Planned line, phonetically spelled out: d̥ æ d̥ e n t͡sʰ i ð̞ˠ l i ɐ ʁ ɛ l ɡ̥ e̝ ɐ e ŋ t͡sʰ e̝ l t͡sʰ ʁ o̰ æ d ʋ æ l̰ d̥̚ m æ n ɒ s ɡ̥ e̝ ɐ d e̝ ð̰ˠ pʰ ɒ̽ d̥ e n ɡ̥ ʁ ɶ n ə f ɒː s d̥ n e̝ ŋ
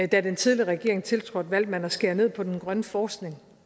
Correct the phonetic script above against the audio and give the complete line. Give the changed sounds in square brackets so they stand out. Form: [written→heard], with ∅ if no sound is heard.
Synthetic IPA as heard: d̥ æ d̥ e n t͡sʰ i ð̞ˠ l i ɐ ʁ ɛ [l→∅] ɡ̥ e̝ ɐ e ŋ t͡sʰ e̝ l t͡sʰ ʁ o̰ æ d ʋ æ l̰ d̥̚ m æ n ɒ s ɡ̥ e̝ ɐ [d→n] e̝ ð̰ˠ pʰ ɒ̽ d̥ e n ɡ̥ ʁ ɶ n ə f ɒː s [d̥→ɡ̥] n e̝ ŋ